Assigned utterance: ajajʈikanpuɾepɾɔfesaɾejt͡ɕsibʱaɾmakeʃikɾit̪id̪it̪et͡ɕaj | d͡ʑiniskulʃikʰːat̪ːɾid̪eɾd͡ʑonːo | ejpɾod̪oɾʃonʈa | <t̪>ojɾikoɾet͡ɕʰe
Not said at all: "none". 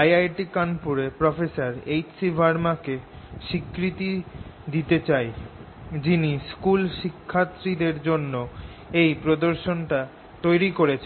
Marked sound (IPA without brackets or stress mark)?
t̪